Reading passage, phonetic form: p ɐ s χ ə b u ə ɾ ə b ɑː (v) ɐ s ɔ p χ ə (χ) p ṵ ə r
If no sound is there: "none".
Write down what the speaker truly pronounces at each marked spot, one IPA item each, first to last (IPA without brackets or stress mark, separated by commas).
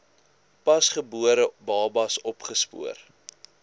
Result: b, s